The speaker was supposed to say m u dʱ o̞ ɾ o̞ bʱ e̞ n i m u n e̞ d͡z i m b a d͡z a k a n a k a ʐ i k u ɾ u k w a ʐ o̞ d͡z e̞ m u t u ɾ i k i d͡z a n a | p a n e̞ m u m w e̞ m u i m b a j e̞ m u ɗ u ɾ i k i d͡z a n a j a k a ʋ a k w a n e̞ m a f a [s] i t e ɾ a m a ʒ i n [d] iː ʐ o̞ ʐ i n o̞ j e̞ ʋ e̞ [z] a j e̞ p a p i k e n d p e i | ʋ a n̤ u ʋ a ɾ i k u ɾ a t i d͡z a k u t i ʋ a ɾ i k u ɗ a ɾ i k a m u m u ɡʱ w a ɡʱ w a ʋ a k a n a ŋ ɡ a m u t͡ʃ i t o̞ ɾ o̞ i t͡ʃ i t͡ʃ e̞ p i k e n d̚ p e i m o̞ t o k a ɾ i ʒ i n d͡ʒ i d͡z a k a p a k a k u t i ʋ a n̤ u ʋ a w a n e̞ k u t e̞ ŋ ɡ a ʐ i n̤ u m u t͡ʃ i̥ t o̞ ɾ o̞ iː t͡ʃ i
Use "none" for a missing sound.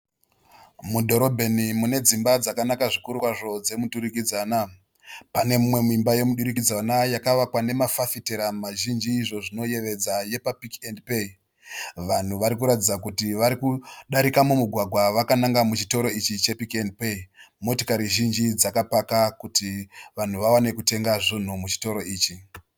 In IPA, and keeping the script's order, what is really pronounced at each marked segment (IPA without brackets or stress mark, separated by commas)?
f, d͡ʒ, d͡z